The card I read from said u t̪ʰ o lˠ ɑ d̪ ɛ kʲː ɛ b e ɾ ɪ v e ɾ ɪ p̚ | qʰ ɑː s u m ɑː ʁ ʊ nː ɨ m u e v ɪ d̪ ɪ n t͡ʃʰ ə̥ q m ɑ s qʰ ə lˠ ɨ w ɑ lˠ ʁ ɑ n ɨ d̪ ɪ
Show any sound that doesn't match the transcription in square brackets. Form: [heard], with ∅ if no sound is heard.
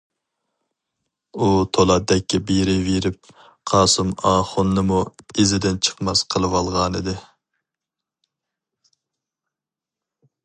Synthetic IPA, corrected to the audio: u t̪ʰ o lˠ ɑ d̪ ɛ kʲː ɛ b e ɾ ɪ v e ɾ ɪ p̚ | qʰ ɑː s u m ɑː [χ] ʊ nː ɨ m u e [z] ɪ d̪ ɪ n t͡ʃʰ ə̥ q m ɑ s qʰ ə lˠ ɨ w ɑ lˠ ʁ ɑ n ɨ d̪ ɪ